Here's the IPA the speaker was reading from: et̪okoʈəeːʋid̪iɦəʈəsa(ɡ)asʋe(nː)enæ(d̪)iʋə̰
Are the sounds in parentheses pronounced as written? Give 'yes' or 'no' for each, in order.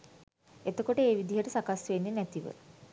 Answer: no, yes, no

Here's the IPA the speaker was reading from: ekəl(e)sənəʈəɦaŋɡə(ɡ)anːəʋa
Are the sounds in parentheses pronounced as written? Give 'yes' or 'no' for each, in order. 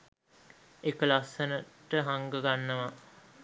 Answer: no, yes

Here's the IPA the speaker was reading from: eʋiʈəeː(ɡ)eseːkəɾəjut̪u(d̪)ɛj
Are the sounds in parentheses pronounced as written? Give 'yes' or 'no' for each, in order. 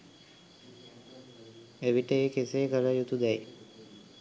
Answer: no, yes

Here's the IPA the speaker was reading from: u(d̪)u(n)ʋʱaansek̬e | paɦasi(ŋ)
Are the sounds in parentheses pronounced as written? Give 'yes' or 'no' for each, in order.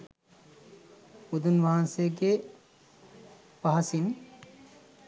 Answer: yes, yes, no

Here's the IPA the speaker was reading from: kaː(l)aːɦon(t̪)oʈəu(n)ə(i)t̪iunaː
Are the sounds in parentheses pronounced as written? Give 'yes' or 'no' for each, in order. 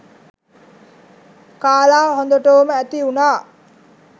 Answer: yes, no, no, no

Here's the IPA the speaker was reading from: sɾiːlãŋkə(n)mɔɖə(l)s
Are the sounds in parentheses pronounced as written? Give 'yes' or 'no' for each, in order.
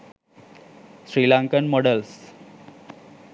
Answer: yes, yes

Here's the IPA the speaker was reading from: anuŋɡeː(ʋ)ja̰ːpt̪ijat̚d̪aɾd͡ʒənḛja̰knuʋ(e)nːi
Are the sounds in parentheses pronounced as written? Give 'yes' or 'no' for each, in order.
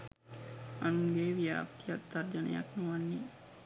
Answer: yes, no

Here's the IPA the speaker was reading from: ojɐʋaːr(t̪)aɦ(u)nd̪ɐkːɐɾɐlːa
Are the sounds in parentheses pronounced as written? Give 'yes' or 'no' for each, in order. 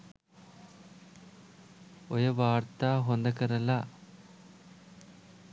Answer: yes, no

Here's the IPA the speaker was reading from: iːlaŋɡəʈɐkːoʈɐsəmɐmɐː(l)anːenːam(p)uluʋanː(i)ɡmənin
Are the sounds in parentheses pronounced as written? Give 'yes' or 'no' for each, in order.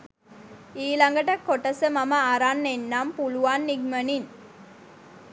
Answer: no, yes, yes

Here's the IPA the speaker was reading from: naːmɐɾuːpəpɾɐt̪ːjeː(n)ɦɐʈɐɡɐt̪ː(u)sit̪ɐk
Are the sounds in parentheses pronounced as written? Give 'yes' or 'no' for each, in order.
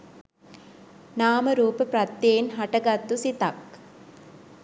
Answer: yes, yes

